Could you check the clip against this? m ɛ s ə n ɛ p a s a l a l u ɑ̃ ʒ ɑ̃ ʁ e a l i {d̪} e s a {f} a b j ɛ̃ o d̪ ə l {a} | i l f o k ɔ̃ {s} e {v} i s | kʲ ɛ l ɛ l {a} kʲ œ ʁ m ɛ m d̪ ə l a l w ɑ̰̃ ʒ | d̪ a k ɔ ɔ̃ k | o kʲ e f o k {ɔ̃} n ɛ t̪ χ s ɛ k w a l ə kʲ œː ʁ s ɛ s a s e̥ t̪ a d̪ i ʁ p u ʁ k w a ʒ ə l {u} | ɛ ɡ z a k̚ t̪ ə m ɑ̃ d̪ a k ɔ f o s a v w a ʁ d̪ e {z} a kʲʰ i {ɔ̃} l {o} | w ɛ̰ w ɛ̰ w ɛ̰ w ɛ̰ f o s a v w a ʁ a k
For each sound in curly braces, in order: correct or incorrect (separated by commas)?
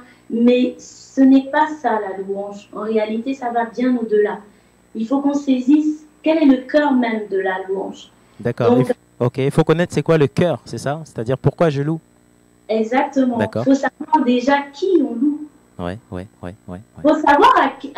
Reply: incorrect, incorrect, correct, correct, incorrect, incorrect, incorrect, correct, incorrect, correct, incorrect